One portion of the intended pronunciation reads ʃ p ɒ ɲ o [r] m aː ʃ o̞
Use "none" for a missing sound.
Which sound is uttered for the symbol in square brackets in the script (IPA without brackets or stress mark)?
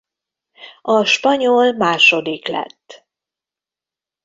l